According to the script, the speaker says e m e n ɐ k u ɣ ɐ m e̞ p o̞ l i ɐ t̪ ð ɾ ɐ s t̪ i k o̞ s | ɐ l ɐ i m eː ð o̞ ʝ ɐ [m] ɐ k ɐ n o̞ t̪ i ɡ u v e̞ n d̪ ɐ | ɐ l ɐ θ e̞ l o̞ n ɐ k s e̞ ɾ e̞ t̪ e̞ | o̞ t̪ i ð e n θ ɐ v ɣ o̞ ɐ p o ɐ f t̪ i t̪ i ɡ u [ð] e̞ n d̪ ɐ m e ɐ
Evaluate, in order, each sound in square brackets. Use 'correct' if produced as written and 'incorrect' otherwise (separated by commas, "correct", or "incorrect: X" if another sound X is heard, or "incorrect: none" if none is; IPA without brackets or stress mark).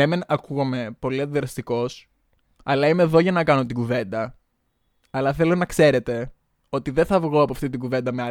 incorrect: n, incorrect: v